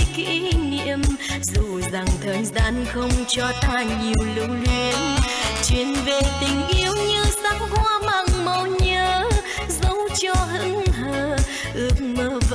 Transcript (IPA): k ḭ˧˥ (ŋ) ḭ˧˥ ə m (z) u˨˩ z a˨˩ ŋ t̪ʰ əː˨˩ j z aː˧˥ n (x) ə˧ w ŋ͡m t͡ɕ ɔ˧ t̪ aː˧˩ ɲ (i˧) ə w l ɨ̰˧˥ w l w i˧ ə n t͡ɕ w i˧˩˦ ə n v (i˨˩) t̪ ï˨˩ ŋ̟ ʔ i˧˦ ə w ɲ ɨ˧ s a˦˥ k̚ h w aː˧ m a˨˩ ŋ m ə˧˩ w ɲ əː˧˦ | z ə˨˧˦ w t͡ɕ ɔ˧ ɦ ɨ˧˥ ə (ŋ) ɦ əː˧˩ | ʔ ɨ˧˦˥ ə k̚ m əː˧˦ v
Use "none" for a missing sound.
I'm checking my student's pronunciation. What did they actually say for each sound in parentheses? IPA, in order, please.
n, z, x, i˨˩, e˨˩, ŋ

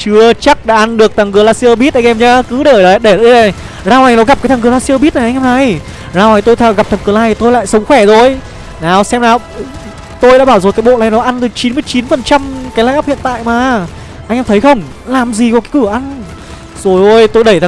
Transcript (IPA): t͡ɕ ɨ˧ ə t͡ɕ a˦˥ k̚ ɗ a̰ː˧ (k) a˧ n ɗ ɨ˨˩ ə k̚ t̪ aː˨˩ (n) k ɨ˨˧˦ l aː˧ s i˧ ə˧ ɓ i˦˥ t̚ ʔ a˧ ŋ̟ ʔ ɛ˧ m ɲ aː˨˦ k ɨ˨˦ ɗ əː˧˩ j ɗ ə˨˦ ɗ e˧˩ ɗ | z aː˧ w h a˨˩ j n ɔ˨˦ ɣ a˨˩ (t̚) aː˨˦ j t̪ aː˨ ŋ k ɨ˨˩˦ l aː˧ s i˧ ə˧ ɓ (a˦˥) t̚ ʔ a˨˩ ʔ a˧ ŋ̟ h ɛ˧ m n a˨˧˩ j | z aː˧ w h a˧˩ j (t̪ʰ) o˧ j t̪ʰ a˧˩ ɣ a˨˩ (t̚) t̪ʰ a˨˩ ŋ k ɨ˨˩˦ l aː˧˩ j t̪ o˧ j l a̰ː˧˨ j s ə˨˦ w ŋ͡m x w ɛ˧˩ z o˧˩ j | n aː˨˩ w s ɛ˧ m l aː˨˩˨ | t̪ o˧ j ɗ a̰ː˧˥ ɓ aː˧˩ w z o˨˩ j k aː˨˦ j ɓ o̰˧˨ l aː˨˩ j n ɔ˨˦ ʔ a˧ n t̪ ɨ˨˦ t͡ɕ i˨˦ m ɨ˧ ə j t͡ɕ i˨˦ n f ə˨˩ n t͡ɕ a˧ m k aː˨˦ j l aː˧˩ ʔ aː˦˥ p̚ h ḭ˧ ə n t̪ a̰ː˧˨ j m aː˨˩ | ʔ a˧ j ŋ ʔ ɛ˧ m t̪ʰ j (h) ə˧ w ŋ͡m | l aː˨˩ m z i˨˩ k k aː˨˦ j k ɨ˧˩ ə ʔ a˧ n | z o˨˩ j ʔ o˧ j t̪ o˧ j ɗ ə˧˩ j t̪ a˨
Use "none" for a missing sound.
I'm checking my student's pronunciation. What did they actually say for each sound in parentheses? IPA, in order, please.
ʔ, ŋ, p̚, i˦˥, t̪, p̚, x

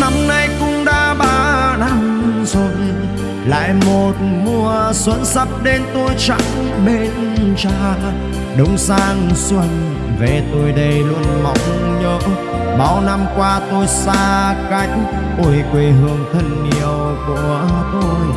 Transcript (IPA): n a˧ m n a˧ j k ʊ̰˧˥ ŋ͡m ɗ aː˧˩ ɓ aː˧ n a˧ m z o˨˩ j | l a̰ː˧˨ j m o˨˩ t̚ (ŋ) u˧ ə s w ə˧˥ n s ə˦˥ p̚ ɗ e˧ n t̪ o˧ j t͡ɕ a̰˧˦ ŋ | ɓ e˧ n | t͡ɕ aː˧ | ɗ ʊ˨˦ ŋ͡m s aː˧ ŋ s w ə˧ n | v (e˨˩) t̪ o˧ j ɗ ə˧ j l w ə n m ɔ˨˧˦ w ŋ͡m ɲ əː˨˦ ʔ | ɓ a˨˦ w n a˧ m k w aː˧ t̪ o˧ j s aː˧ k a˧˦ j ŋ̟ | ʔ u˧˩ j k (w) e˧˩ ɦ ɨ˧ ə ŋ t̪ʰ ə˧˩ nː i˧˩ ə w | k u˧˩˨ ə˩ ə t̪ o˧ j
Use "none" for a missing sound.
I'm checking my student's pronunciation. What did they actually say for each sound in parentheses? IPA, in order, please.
m, e˨˩, w

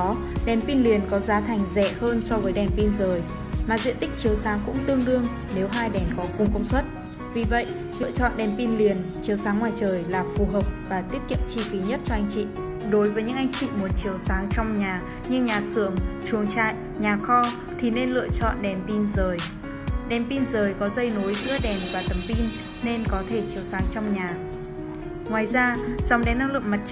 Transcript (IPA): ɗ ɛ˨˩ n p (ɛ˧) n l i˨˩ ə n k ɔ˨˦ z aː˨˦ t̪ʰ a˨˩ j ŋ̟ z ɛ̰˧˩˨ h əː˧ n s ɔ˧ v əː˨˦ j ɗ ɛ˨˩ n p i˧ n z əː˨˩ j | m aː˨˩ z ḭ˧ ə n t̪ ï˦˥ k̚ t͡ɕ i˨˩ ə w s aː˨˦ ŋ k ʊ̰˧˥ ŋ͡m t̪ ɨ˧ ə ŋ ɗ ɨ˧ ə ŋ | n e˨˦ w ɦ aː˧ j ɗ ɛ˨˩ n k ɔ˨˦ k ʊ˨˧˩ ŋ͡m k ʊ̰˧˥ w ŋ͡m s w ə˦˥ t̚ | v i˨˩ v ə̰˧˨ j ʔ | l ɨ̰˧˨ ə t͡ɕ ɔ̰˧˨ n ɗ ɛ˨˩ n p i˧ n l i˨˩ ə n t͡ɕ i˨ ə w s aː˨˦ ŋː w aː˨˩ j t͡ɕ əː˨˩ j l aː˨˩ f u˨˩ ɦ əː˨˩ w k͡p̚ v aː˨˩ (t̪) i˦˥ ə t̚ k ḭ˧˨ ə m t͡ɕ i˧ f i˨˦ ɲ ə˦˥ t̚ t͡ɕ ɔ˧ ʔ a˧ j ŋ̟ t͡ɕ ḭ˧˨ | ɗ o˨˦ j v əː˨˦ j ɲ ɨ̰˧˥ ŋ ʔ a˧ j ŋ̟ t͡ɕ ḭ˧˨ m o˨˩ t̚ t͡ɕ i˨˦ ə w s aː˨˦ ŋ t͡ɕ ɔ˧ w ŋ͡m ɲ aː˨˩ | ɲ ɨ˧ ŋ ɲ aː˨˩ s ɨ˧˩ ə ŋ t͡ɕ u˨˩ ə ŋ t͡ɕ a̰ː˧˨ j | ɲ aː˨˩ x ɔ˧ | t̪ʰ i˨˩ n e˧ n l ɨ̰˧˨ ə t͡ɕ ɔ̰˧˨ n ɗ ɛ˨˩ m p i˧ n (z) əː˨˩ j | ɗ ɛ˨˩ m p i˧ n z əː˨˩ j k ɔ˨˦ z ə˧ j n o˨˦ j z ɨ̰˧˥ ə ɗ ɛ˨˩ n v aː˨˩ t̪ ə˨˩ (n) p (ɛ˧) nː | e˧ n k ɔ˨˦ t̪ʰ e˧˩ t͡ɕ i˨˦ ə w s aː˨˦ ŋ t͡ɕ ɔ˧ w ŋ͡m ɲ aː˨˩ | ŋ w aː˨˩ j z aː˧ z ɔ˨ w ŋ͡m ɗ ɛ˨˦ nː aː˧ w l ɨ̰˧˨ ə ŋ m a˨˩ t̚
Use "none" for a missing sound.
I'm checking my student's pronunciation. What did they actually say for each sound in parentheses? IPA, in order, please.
i˧, t̪, z, m, i˧

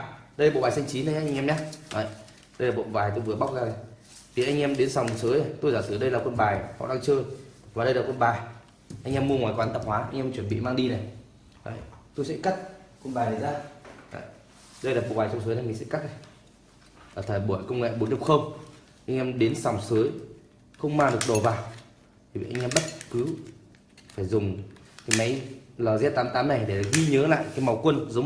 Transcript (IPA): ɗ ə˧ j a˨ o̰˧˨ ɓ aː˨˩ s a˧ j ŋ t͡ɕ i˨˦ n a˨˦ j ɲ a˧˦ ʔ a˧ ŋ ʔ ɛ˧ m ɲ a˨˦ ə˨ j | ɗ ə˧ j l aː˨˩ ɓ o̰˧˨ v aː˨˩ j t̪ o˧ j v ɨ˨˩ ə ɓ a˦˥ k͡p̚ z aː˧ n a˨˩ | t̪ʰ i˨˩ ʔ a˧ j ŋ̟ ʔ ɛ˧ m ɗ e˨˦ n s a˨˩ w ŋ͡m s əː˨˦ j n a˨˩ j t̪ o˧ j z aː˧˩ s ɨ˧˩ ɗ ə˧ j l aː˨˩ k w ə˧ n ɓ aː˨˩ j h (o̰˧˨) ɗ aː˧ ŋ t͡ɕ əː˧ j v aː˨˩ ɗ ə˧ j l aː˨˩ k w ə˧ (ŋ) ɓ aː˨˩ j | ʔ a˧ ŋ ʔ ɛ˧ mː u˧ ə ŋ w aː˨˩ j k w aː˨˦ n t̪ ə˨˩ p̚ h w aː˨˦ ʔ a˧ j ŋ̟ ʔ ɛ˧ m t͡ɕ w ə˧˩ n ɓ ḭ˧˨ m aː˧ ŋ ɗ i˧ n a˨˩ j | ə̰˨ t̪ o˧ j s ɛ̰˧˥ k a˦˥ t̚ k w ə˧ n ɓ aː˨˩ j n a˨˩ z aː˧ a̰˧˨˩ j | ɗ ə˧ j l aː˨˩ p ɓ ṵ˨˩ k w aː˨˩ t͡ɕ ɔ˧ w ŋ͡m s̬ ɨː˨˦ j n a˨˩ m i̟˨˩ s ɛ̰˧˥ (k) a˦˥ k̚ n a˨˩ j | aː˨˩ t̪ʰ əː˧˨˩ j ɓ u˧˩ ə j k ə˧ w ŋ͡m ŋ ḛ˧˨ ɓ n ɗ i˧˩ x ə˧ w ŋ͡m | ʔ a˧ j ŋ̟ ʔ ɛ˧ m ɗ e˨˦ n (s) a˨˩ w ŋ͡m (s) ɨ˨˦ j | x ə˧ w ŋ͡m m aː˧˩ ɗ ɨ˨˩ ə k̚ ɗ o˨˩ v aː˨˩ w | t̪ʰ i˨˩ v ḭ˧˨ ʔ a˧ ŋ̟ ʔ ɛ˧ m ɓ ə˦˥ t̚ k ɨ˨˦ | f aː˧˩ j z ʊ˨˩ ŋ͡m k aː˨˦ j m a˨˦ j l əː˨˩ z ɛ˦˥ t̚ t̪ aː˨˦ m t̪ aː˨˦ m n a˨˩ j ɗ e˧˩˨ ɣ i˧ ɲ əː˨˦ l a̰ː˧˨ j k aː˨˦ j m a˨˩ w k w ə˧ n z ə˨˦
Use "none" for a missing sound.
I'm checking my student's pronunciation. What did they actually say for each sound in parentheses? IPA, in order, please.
ɔ̰˧˨, n, k, s, s

